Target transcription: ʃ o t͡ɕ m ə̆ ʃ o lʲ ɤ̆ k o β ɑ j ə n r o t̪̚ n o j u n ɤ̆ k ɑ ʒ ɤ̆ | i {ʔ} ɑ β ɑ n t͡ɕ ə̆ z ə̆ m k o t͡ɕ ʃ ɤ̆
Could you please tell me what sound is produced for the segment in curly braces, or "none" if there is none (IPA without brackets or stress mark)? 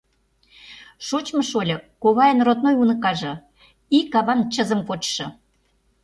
k